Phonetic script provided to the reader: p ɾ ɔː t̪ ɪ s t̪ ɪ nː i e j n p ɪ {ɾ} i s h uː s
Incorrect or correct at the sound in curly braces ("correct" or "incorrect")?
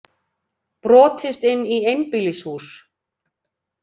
incorrect